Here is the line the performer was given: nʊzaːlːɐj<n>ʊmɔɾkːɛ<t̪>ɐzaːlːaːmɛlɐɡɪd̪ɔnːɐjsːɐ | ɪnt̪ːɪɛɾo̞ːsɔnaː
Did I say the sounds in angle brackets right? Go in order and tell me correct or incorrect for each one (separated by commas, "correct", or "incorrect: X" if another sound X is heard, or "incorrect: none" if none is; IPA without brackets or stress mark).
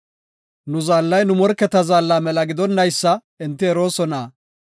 correct, correct